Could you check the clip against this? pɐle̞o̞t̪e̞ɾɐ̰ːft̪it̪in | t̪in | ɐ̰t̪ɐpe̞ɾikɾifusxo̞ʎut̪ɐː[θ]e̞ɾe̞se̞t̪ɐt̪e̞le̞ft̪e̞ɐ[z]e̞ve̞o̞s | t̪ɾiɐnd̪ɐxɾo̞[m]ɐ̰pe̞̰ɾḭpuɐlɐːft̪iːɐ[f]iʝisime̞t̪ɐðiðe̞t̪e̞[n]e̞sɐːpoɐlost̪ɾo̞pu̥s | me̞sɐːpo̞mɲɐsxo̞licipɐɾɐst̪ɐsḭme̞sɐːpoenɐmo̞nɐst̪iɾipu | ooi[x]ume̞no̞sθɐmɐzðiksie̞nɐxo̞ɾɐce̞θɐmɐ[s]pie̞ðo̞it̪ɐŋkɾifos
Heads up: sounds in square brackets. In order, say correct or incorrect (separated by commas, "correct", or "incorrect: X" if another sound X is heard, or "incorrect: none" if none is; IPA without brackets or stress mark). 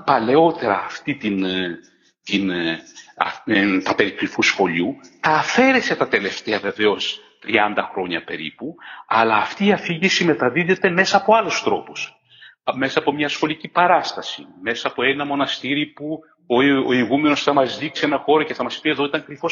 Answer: incorrect: f, incorrect: v, incorrect: ɲ, correct, incorrect: m, incorrect: ɣ, correct